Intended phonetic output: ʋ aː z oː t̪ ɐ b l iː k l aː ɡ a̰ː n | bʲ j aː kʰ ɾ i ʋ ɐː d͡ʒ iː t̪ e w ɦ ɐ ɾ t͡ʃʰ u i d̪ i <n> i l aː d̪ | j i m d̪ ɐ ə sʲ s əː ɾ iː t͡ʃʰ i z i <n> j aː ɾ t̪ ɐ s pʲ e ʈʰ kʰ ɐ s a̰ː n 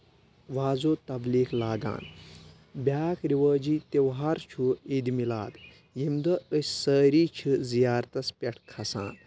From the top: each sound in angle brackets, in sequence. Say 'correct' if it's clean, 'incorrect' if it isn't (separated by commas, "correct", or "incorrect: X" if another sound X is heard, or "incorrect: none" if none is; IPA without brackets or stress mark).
incorrect: m, incorrect: none